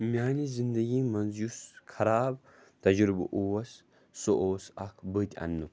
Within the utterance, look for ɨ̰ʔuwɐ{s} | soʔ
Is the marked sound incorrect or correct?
correct